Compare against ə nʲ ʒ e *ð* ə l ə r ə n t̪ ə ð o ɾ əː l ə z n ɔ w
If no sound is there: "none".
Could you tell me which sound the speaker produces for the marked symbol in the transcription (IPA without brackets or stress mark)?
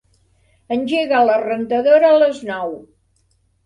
ɣ